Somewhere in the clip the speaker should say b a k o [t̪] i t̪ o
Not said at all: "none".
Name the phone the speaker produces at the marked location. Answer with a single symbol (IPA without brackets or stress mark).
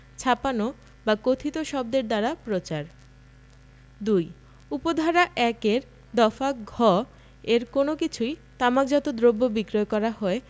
t̪ʰ